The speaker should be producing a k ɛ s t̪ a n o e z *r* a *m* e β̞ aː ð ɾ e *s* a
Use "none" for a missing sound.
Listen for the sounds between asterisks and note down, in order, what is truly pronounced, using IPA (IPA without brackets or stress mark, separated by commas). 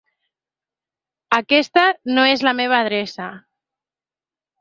l, m, s